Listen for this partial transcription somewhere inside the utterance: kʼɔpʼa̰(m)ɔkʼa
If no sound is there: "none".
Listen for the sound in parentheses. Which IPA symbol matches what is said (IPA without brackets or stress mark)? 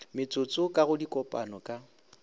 n